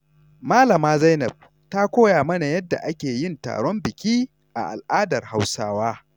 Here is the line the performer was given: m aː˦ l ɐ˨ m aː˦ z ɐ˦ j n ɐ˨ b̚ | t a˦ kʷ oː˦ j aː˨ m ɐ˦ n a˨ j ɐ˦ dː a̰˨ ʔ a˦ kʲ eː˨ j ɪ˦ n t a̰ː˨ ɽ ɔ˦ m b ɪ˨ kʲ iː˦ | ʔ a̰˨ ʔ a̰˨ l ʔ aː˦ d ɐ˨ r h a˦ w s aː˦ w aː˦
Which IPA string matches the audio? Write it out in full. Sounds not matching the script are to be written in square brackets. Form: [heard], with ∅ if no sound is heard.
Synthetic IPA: m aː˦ l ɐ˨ m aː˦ z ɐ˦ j n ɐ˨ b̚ | t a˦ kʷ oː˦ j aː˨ m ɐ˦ n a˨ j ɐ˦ dː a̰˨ ʔ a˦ kʲ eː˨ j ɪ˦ n t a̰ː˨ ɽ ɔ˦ m b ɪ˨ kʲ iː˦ | ʔ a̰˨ ʔ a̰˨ l ʔ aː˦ d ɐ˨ r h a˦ w s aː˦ w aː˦